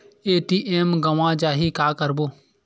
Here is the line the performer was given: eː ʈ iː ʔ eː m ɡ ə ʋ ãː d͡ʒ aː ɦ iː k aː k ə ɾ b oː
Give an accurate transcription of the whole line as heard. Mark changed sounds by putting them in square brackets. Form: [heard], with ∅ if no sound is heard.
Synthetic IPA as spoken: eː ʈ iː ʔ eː m ɡ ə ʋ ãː d͡ʒ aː ɦ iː k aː k ə ɾ b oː